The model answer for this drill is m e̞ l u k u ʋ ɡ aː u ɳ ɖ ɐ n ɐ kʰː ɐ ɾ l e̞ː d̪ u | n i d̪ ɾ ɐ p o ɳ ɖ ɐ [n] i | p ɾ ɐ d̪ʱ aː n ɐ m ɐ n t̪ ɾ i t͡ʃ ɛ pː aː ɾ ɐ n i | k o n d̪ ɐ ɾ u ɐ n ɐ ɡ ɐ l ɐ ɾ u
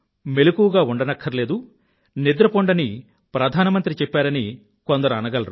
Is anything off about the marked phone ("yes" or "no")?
no